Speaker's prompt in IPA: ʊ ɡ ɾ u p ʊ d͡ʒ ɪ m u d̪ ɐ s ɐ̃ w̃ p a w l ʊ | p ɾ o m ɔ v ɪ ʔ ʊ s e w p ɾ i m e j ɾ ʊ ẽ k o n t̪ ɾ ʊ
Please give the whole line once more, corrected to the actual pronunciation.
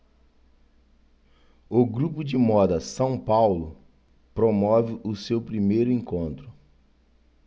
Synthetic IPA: ʊ ɡ ɾ u p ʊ d͡ʒ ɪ m ɔ d̪ ɐ s ɐ̃ w̃ p a w l ʊ | p ɾ o m ɔ v ɪ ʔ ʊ s e w p ɾ i m e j ɾ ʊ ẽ k õ n t̪ ɾ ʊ

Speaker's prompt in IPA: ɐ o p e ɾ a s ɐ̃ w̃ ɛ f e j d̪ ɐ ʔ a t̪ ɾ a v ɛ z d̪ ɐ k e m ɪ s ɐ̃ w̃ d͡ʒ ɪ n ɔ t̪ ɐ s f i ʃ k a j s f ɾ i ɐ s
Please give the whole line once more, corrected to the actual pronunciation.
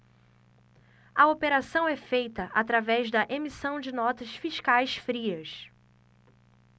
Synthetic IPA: ɐ o p e ɾ a s ɐ̃ w̃ ɛ f e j t̪ ɐ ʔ a t̪ ɾ a v ɛ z d̪ ɐ ʔ e m i s ɐ̃ w̃ d͡ʒ ɪ n ɔ t̪ ɐ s f i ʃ k a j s f ɾ i ɐ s

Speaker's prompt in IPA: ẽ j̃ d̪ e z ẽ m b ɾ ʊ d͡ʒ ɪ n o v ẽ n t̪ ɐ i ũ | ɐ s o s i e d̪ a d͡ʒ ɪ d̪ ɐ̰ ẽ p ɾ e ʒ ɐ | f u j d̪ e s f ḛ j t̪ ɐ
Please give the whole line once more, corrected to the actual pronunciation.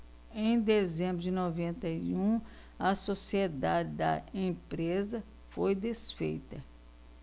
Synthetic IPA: ẽ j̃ d̪ e z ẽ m b ɾ ʊ d͡ʒ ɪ n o v ẽ n t̪ ɐ i ũ | ɐ s o s i e d̪ a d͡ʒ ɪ d̪ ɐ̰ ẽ p ɾ e z ɐ | f o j d̪ e s f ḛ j t̪ ɐ

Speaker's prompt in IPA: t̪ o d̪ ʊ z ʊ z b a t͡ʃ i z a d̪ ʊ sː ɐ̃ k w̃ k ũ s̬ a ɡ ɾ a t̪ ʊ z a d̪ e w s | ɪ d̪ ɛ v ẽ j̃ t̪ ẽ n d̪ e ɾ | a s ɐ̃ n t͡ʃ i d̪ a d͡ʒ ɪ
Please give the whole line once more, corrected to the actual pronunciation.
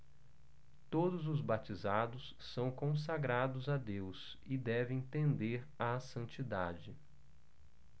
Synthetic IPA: t̪ o d̪ ʊ z ʊ z b a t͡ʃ i z a d̪ ʊ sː ɐ̃ w̃ k õ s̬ a ɡ ɾ a d̪ ʊ z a d̪ e w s | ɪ d̪ ɛ v ẽ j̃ t̪ ẽ n d̪ e ɾ | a s ɐ̃ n t͡ʃ i d̪ a d͡ʒ ɪ

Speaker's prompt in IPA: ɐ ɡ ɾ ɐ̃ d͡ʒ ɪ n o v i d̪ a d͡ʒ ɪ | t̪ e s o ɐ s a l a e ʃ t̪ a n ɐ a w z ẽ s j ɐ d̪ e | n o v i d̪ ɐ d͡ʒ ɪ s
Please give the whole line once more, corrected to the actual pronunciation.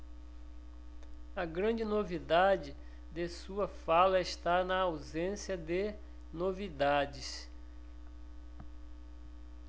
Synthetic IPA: ɐ ɡ ɾ ɐ̃ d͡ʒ ɪ n o v i d̪ a d͡ʒ ɪ | d̪ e s u ɐ f a l ɐ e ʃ t̪ a n ɐ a w z ẽ s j ɐ d̪ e | n o v i d̪ a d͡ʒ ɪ s

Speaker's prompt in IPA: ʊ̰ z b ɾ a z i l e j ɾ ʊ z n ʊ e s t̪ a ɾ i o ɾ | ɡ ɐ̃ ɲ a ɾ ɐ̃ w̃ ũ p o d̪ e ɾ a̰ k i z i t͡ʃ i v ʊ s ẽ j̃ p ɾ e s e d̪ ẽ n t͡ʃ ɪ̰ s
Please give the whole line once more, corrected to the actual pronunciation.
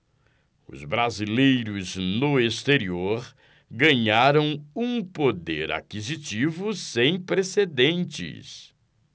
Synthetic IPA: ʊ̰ z b ɾ a z i l e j ɾ ʊ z n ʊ e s t̪ e ɾ i o ɾ | ɡ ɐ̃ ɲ a ɾ ɐ̃ w̃ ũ p o d̪ e ɾ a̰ k i z i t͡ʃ i v ʊ s ẽ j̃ p ɾ e s e d̪ ẽ n t͡ʃ ɪ̰ s

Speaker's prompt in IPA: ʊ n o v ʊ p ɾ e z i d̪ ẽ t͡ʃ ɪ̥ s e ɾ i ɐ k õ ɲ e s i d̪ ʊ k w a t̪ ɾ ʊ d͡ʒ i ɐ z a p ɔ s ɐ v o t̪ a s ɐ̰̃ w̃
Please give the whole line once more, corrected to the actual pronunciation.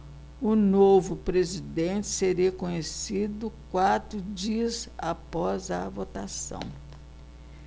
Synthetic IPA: ʊ n o v ʊ p ɾ e z i d̪ ẽ t͡ʃ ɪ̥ s e ɾ i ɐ k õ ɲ e s i d̪ ʊ k w a t̪ ɾ ʊ d͡ʒ i ɐ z a p ɔ z ɐ v o t̪ a s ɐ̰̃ w̃

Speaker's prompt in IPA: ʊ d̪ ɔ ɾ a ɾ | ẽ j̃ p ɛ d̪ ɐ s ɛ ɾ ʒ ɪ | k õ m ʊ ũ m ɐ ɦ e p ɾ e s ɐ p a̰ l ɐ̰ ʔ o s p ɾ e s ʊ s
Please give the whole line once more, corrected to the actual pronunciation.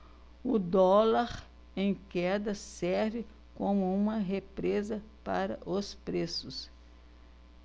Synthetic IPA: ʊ d̪ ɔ l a ɾ | ẽ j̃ k ɛ d̪ ɐ s ɛ ɾ v ɪ | k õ m ʊ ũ m ɐ ɦ e p ɾ e z ɐ p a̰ ɾ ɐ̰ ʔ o s p ɾ e s ʊ s

